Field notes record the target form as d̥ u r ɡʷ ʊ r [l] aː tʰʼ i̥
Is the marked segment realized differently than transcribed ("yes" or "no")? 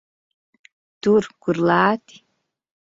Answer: no